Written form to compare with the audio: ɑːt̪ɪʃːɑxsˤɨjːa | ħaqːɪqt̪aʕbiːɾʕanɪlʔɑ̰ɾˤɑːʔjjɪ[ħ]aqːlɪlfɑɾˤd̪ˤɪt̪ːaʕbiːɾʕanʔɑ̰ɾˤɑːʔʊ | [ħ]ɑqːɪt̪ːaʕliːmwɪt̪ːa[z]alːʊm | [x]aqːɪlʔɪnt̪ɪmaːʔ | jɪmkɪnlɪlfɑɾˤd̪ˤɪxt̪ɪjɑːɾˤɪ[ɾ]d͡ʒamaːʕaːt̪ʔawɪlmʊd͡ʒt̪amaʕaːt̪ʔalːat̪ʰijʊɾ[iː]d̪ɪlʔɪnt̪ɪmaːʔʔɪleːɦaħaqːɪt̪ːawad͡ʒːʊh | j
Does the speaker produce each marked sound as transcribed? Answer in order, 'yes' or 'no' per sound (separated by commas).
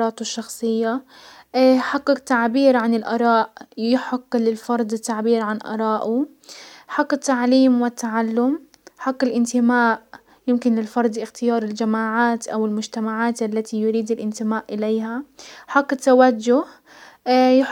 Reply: yes, yes, no, no, no, yes